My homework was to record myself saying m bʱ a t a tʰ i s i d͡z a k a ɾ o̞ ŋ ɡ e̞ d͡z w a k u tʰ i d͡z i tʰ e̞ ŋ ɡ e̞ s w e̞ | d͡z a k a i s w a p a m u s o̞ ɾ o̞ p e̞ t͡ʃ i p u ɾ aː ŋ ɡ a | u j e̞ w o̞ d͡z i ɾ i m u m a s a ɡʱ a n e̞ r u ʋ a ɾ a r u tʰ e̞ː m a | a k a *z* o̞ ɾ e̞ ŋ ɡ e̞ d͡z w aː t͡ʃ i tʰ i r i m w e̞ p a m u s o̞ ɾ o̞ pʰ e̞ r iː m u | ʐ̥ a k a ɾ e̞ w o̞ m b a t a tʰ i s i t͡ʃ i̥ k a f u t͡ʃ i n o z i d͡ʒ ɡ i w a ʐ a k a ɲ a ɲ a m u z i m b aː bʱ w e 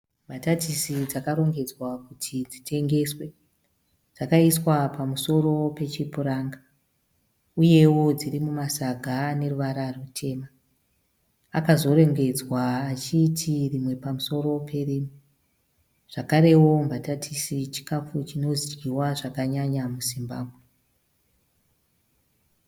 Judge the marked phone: correct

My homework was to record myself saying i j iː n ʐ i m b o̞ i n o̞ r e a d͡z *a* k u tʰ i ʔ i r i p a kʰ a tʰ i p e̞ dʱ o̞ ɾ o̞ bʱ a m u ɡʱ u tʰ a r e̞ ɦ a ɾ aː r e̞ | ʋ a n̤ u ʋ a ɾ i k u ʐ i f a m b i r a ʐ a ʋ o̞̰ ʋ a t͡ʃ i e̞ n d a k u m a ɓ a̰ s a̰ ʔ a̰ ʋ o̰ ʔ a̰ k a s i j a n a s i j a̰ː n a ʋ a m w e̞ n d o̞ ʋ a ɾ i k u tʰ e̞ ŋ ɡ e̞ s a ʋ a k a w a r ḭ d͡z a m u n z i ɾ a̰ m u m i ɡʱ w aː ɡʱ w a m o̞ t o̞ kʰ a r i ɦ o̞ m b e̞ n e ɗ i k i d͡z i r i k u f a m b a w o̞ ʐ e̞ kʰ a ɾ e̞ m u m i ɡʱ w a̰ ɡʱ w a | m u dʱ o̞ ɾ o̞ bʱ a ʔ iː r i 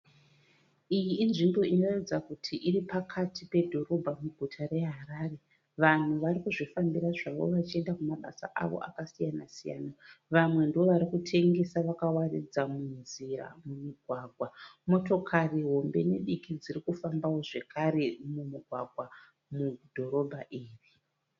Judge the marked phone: correct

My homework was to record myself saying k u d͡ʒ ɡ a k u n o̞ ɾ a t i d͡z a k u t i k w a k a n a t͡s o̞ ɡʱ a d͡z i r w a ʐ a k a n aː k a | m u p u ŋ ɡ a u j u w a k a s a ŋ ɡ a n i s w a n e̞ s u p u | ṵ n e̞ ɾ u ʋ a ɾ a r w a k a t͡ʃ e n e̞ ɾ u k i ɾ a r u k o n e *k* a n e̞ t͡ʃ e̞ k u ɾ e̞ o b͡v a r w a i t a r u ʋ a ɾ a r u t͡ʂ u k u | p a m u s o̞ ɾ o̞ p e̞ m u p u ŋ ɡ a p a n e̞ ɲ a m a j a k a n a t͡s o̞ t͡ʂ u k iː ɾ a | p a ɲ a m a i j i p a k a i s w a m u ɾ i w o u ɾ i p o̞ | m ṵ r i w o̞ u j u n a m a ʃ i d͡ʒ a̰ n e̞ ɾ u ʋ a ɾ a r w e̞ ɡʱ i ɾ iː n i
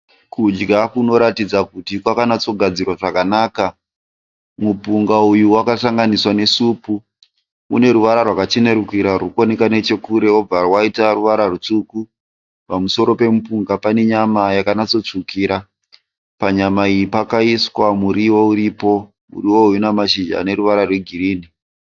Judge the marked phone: correct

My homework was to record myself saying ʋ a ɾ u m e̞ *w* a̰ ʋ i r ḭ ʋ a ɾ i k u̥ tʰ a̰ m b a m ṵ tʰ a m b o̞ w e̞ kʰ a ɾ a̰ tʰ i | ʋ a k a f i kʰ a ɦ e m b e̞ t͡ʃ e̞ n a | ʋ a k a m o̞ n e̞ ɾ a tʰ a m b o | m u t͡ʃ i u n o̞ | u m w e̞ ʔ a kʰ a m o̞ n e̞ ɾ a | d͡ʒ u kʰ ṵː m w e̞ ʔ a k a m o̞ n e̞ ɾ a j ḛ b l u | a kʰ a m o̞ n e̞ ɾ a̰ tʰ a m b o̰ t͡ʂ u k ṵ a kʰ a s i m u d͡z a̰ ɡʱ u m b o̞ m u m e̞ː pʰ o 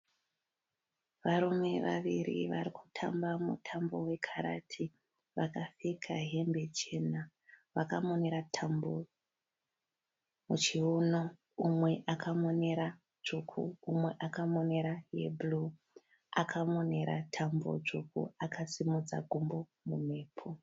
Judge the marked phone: incorrect: ʋ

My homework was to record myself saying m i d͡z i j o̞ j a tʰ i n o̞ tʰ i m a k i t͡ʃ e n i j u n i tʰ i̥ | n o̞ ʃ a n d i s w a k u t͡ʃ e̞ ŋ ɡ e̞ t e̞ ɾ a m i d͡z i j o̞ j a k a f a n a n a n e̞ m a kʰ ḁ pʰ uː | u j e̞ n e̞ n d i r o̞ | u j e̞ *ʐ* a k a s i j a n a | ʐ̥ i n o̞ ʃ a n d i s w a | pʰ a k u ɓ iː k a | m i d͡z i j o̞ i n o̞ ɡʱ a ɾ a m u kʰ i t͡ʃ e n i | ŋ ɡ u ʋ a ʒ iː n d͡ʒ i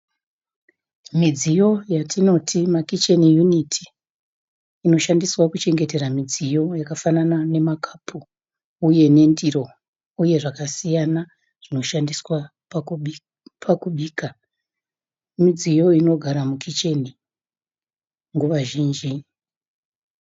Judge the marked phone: correct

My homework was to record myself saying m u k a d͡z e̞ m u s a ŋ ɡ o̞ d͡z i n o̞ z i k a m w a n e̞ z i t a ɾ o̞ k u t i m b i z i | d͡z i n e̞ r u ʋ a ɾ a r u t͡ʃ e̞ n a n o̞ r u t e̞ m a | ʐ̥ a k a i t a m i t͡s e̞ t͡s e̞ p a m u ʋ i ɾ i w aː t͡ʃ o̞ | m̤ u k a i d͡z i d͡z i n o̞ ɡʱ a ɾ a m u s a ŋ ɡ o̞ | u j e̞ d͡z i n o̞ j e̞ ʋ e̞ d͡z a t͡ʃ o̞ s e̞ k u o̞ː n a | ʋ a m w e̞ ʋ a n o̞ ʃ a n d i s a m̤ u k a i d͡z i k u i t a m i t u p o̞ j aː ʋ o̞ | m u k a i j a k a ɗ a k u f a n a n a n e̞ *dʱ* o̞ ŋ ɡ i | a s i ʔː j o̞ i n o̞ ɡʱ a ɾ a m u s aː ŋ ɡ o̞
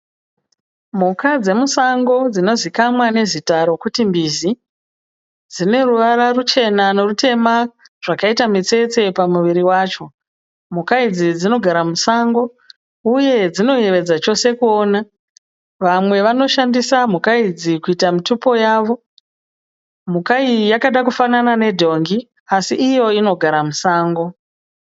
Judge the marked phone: correct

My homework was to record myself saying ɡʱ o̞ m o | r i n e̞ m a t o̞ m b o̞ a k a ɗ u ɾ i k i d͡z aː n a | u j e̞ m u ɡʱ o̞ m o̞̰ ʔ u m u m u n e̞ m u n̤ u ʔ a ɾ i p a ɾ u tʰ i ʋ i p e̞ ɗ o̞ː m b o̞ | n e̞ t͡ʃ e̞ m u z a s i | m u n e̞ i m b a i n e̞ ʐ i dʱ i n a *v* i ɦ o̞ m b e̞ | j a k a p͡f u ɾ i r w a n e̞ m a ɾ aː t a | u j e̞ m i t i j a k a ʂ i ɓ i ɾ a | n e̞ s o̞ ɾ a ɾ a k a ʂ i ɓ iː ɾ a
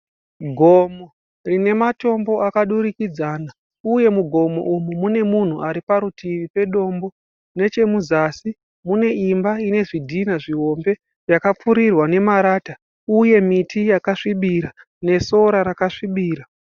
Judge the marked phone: incorrect: ʐ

